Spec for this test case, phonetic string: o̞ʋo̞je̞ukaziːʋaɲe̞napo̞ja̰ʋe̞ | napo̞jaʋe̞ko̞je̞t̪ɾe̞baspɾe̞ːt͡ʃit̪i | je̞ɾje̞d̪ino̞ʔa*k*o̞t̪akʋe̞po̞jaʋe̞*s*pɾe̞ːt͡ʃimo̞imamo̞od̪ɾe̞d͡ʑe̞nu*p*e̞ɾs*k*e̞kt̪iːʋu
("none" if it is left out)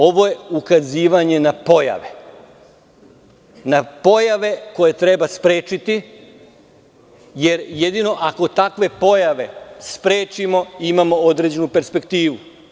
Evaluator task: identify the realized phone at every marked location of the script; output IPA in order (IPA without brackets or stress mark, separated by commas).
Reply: k, s, p, p